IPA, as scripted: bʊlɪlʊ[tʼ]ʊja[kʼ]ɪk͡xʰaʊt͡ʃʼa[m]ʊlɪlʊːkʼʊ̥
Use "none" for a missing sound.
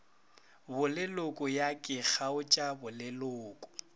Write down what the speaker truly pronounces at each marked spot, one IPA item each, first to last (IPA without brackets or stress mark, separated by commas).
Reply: kʼ, kʼ, b